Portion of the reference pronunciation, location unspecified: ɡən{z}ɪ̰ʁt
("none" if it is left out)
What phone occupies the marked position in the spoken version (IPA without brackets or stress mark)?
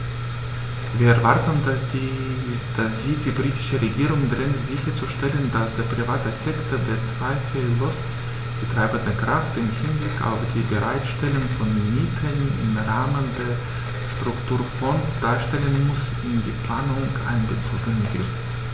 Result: v